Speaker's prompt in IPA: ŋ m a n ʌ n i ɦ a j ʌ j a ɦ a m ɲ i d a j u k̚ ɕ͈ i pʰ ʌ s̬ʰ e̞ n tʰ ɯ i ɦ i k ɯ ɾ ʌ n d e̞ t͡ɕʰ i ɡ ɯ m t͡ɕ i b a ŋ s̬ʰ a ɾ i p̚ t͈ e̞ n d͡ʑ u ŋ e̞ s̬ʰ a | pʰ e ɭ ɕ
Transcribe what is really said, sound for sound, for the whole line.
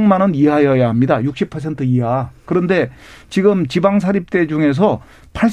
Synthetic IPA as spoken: ŋ m a n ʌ n i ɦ a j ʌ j a ɦ a m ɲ i d a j u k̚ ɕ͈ i pʰ ʌ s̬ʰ e̞ n tʰ ɯ i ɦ a k ɯ ɾ ʌ n d e̞ t͡ɕ i ɡ ɯ m t͡ɕ i b a ŋ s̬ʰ a ɾ i p̚ t͈ e̞ d͡ʑ u ŋ e̞ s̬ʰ ʌ | pʰ a ɭ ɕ